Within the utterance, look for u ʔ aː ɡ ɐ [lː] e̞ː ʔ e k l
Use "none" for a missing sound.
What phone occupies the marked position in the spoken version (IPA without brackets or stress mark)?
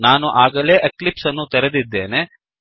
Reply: l